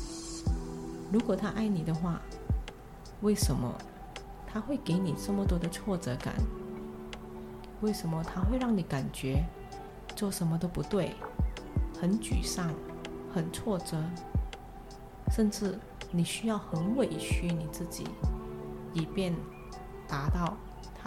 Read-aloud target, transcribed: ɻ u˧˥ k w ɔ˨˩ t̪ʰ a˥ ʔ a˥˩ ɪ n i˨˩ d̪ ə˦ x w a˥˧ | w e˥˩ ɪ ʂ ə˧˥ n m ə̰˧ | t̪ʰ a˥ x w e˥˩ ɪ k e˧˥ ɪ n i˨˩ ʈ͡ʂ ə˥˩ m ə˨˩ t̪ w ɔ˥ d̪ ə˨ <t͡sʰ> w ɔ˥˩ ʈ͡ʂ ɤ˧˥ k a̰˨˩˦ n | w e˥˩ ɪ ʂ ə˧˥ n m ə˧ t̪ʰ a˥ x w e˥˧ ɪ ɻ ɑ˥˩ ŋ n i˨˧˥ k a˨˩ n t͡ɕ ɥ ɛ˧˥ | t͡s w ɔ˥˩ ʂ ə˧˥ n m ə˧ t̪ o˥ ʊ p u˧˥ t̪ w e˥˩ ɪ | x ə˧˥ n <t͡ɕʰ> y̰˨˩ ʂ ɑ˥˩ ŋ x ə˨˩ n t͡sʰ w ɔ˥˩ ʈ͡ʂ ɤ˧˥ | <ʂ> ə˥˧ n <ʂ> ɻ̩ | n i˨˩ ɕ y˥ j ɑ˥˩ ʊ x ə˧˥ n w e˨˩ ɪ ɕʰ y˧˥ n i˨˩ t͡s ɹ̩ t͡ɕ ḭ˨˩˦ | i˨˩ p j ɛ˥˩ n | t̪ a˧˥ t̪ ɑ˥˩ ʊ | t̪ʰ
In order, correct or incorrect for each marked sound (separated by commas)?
correct, incorrect, correct, incorrect